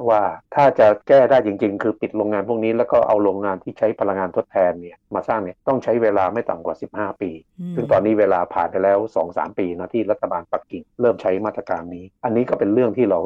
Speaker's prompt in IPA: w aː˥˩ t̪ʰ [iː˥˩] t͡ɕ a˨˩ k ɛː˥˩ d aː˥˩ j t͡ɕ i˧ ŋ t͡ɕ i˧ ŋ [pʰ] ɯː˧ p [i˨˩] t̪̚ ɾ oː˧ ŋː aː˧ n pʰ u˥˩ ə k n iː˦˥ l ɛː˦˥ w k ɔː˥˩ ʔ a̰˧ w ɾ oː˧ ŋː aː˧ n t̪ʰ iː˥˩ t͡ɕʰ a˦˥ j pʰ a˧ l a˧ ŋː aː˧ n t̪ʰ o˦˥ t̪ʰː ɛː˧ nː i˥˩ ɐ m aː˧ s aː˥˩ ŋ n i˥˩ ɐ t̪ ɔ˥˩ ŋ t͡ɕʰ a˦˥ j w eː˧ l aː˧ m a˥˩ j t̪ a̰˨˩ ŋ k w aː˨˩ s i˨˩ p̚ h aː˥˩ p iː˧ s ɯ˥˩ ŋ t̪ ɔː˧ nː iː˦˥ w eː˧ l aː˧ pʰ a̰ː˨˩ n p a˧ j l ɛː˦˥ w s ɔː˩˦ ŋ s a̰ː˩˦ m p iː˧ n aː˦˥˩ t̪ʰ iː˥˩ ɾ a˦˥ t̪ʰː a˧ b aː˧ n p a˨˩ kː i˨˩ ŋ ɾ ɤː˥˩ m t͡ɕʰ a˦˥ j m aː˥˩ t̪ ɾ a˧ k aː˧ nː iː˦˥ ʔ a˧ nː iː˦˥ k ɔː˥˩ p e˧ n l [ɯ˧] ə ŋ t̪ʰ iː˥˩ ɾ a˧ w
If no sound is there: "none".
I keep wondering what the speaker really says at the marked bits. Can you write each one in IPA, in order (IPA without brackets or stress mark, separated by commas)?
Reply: aː˥˩, kʰ, i˨˩, ɯ˥˩